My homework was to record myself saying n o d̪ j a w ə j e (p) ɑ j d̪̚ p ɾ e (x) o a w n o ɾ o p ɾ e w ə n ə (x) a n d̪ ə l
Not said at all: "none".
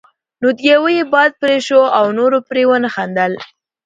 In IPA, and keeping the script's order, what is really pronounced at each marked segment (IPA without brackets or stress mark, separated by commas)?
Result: b, ʃ, x